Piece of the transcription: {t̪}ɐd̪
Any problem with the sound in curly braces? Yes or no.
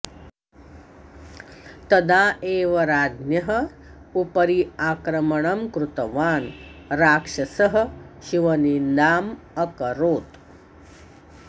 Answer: no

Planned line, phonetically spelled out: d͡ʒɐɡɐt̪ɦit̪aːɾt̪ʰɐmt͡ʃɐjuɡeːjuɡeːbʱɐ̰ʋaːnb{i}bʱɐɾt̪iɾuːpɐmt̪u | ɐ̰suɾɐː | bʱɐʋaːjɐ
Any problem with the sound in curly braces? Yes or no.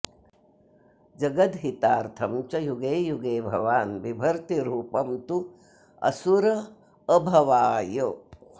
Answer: no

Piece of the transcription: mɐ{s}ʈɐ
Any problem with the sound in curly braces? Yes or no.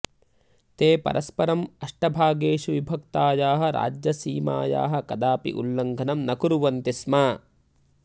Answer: yes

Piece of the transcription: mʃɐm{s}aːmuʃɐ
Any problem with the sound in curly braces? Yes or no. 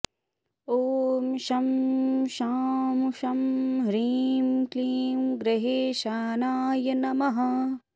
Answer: yes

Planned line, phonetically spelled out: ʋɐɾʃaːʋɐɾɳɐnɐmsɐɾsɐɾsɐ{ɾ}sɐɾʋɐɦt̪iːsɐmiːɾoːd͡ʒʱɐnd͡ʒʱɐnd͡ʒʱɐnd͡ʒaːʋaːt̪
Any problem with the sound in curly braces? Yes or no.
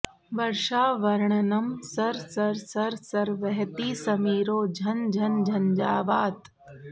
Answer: no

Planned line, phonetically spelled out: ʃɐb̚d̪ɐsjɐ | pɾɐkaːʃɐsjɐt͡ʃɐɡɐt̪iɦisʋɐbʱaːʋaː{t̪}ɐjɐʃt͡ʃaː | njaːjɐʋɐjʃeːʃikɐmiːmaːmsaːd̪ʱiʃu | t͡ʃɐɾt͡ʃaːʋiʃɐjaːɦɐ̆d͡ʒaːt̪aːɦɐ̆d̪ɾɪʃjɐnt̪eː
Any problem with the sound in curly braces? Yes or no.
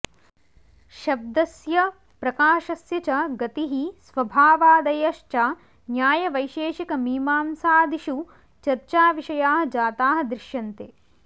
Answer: yes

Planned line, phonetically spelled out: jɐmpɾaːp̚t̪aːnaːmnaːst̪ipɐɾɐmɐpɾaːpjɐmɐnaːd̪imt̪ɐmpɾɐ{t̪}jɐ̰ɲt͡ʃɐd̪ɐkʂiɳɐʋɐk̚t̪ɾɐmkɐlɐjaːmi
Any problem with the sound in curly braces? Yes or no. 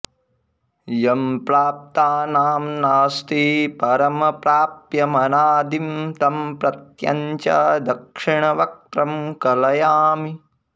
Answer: no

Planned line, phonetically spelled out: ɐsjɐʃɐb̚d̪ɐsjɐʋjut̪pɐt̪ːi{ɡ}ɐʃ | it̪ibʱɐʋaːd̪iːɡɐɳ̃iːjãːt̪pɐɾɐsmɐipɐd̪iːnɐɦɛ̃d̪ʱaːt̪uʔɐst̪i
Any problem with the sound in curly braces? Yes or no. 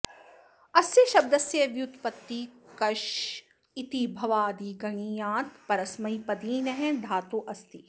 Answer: yes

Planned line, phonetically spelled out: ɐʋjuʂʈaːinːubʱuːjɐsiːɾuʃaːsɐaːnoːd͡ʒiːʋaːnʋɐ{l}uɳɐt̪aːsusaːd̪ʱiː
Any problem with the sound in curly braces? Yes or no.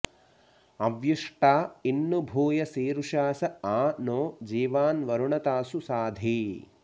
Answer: yes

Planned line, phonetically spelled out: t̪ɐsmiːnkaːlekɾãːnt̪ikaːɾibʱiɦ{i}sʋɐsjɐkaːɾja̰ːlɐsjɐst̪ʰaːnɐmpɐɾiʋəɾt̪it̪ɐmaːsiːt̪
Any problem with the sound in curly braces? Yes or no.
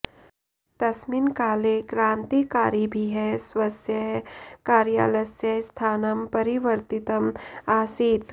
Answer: yes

